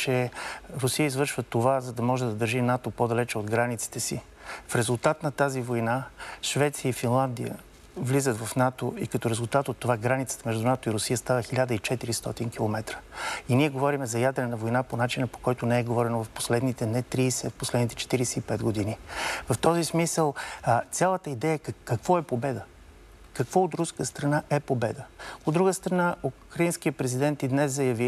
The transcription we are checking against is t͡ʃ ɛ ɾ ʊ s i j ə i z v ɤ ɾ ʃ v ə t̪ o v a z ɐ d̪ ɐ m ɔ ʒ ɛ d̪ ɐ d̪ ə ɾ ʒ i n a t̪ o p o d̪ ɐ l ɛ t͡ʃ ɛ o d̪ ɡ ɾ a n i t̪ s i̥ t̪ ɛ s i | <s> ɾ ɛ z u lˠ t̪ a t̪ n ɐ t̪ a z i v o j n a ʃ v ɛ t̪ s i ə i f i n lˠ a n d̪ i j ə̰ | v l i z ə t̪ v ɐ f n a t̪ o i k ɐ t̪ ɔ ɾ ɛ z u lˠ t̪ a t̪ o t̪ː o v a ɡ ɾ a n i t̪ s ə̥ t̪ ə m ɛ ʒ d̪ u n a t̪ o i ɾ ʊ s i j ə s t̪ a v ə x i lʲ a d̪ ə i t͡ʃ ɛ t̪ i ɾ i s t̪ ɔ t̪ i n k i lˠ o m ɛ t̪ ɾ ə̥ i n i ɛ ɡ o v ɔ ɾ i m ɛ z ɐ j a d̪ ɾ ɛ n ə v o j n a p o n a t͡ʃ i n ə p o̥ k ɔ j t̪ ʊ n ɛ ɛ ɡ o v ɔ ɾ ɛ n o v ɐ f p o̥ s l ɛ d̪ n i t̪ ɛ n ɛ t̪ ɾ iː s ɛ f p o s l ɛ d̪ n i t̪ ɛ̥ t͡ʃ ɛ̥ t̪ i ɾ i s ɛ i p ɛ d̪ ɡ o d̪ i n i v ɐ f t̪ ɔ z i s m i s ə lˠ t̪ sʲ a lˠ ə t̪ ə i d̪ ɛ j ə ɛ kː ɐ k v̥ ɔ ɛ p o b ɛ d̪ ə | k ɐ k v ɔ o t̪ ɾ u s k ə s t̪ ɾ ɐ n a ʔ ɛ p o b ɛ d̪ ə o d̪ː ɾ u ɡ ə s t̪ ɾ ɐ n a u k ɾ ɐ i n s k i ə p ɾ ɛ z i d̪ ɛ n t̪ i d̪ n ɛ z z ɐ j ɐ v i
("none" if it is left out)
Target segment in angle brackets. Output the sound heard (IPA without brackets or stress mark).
f